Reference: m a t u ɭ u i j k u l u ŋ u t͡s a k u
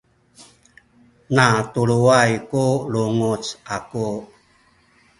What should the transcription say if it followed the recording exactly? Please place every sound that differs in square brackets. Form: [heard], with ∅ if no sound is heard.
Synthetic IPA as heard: [n] a t u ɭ u [a] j k u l u ŋ u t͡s a k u